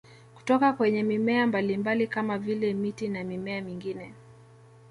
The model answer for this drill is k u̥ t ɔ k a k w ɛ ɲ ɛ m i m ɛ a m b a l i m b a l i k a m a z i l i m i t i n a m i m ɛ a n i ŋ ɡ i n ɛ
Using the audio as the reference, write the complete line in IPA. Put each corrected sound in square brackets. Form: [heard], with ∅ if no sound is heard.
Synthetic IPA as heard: k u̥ t ɔ k a k w ɛ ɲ ɛ m i m ɛ a m b a l i m b a l i k a m a [v] i l [ɛ] m i t i n a m i m ɛ a [m] i ŋ ɡ i n ɛ